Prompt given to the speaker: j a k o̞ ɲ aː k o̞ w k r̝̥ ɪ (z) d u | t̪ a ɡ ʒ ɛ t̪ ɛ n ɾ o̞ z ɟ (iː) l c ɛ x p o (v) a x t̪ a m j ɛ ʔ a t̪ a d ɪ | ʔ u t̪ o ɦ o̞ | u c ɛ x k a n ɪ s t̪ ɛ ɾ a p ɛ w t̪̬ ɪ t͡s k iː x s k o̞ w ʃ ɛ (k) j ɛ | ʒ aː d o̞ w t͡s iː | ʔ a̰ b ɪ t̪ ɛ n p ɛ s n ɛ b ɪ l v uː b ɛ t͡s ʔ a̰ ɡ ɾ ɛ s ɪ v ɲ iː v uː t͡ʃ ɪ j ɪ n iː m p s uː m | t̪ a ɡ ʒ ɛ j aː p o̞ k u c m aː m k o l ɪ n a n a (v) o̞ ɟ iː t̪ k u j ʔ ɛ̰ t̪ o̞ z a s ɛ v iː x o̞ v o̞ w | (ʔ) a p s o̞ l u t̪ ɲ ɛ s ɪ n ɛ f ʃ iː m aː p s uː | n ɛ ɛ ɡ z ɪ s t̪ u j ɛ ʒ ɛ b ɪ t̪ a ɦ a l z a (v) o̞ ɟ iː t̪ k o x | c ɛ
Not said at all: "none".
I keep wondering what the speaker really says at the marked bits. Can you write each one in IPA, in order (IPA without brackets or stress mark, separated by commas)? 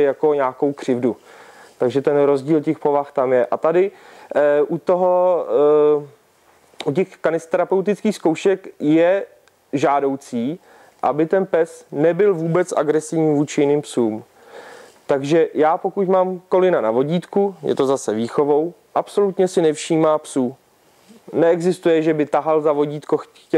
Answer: v, iː, v, k, v, ʔ, v